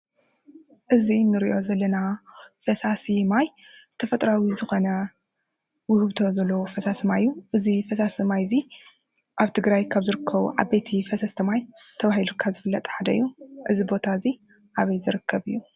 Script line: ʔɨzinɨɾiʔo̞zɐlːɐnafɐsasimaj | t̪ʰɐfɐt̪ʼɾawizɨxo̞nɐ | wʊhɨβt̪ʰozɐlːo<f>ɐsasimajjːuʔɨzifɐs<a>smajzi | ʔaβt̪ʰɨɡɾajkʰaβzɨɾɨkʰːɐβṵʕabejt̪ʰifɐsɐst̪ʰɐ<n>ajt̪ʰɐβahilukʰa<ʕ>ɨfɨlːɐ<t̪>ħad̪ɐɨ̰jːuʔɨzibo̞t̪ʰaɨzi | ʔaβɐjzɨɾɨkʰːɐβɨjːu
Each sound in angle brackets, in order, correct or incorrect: correct, correct, incorrect: m, incorrect: z, incorrect: t̪ʼ

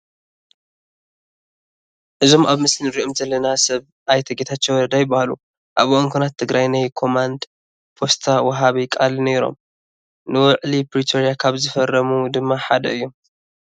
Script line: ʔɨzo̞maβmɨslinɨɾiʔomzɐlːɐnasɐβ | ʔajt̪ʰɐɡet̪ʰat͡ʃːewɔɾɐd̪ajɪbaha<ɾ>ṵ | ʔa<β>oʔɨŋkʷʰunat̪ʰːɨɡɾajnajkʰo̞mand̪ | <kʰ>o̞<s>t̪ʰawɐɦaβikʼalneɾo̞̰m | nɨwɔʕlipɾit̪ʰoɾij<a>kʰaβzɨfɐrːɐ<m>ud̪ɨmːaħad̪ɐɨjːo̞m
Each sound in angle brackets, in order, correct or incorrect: incorrect: l, correct, incorrect: pʰ, correct, correct, correct

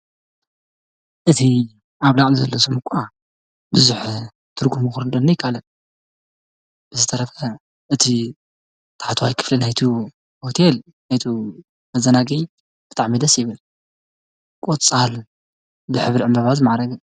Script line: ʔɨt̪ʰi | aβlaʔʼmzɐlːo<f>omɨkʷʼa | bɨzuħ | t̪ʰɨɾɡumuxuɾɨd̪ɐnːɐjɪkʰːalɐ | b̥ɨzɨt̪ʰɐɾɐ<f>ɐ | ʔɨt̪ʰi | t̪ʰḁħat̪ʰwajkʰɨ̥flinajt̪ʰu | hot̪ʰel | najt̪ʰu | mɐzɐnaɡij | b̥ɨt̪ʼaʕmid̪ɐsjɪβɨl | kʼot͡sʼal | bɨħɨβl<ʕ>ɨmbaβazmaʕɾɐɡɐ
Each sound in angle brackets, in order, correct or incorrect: incorrect: s, correct, correct

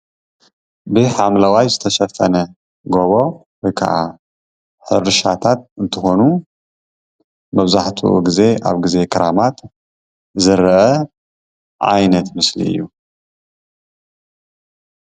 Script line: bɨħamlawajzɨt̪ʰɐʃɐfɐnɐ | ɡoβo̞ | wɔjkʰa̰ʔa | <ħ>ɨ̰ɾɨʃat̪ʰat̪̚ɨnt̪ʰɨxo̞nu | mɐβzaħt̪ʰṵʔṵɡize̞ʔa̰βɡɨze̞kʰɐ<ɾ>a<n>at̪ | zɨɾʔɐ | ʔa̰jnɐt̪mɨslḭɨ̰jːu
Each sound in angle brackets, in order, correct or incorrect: correct, correct, incorrect: m

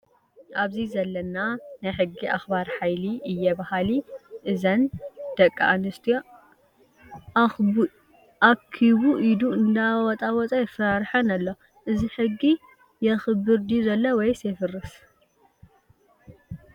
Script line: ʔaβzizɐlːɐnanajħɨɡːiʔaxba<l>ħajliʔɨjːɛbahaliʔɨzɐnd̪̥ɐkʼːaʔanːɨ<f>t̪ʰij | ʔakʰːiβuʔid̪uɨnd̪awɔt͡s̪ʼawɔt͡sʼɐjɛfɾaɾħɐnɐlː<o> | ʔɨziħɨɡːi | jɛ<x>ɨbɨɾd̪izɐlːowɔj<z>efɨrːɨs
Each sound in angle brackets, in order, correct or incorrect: incorrect: ɾ, incorrect: s, correct, correct, incorrect: s

